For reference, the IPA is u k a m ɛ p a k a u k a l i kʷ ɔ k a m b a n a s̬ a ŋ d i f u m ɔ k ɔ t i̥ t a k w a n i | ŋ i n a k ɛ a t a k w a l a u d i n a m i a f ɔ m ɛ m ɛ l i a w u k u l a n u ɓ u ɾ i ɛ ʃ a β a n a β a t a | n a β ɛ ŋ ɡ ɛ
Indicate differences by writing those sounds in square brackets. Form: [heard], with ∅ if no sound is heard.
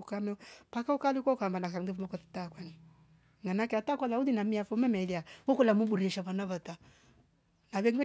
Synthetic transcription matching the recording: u k a m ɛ p a k a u k a l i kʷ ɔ k a m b a n a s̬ a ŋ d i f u m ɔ k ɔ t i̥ t a k w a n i | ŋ [a] n a k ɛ a t a k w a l a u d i n a m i a f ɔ m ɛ m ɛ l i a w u k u l a [m] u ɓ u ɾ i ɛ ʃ a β a n a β a t a | n a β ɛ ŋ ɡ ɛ